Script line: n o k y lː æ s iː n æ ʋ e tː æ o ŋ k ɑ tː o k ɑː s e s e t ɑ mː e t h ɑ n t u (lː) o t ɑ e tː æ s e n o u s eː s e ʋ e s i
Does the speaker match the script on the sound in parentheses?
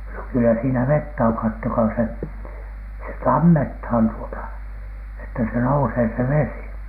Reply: no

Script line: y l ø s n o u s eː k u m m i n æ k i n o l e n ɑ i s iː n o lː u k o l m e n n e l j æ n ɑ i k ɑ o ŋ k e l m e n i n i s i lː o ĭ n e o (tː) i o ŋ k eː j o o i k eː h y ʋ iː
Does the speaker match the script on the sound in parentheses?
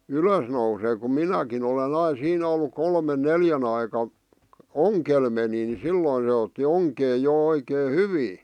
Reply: yes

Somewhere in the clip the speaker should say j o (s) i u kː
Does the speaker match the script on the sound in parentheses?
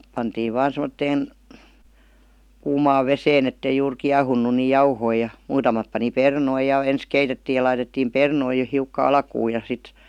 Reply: no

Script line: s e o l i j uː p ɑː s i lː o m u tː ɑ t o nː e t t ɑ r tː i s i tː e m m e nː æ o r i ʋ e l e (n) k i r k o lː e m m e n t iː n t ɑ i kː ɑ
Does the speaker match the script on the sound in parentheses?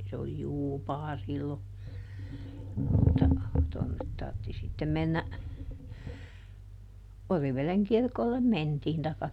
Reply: no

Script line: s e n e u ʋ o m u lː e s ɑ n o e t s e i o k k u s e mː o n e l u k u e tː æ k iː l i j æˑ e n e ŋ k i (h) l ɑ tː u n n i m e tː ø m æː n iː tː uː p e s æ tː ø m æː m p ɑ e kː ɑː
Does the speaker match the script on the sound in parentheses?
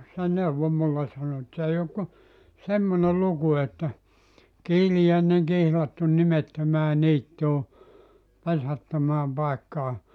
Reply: yes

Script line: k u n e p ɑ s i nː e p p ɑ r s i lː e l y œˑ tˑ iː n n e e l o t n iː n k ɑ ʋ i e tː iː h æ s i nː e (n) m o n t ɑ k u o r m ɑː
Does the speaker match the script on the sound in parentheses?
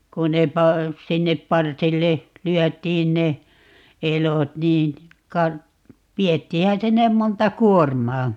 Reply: no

